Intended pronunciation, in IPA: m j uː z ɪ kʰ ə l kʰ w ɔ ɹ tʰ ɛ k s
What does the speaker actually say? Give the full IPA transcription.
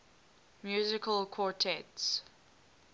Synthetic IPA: m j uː z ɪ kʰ ə l kʰ w ɔ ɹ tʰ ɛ t s

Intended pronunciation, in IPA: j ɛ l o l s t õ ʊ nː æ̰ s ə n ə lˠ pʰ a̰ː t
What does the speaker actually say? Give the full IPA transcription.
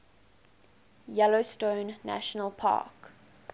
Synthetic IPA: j ɛ l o s t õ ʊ nː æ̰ ʃ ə n ə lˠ pʰ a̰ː k

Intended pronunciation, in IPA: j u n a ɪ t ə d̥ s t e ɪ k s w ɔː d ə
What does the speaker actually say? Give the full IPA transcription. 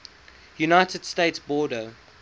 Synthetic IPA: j u n a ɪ t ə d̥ s t e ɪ t s b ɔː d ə

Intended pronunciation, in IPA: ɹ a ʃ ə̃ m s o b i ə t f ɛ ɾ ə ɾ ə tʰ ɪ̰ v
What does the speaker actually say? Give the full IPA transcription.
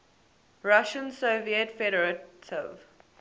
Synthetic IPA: ɹ a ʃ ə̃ n s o v i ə t f ɛ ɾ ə ɹ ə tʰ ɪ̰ v

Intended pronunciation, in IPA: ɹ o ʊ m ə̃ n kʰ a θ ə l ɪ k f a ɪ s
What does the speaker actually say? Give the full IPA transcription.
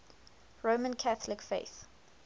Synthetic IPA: ɹ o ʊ m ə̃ n kʰ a θ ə l ɪ k f e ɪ θ

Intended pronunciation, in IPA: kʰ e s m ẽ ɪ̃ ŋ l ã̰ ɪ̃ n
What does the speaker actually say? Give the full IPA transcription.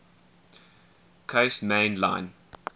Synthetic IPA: kʰ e s m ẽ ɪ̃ n l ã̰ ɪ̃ n

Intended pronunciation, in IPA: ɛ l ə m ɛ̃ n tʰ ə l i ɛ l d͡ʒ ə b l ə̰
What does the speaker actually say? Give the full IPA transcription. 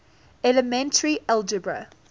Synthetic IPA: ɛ l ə m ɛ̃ n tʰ ə ɹ i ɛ l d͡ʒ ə b ɹ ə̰

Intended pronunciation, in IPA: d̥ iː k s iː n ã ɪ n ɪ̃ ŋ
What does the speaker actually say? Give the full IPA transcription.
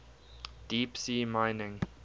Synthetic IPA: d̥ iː p s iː m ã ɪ n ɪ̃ ŋ

